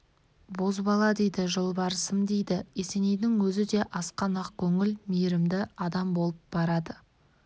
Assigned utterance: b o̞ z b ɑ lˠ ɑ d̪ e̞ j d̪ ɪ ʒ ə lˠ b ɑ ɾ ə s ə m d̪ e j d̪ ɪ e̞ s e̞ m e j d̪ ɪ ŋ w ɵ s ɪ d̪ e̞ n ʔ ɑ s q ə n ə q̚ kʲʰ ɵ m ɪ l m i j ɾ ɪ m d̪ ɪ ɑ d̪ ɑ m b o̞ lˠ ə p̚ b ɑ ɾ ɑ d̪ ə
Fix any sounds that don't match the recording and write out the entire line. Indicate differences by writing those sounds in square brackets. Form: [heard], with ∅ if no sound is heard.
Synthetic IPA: b o̞ z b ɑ lˠ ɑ d̪ e̞ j d̪ ɪ ʒ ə lˠ b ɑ ɾ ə s ə m d̪ e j d̪ ɪ e̞ s e̞ [n] e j d̪ ɪ ŋ w ɵ [z] ɪ d̪ e̞ [∅] ʔ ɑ s q [ɑ] n [ɑ] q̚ kʲʰ ɵ [ŋ] ɪ l m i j ɾ ɪ m d̪ ɪ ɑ d̪ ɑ m b o̞ lˠ ə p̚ b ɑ ɾ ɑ d̪ ə